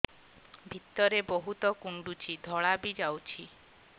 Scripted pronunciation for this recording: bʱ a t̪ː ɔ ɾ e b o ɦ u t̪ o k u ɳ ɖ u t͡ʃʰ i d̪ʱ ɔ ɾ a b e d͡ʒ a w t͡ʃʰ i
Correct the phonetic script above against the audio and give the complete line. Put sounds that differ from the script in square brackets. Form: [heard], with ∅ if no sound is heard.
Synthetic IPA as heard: bʱ [i] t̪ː ɔ ɾ e b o ɦ u t̪ [ɔ] k u ɳ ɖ u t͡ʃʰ i d̪ʱ ɔ [ɭ] a b [i] d͡ʒ a w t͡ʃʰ i

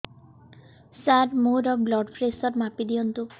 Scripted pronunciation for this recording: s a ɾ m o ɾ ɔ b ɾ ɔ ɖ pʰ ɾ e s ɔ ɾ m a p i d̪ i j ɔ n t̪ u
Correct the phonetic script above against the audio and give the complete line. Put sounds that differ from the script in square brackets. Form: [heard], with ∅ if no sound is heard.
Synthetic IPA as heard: s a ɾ m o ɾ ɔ b [l] ɔ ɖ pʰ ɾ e s ɔ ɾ m a p i d̪ i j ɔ n t̪ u

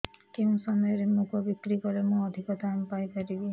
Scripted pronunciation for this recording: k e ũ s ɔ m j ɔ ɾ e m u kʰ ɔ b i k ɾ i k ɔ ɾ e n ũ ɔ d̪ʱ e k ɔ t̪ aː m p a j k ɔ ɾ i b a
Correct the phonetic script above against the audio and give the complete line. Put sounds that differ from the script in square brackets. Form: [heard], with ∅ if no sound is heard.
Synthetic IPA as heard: k e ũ s ɔ m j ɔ ɾ e m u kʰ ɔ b i k ɾ i k ɔ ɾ e [m] ũ ɔ d̪ʱ [i] k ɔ t̪ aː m p a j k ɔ ɾ i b [i]

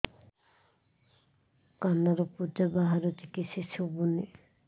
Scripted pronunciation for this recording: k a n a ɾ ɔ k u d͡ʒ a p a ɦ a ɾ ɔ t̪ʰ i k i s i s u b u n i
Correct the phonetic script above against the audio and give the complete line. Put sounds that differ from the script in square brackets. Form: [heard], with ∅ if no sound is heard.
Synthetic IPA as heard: k a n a ɾ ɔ [p] u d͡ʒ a [b] a ɦ a ɾ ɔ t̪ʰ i k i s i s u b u n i

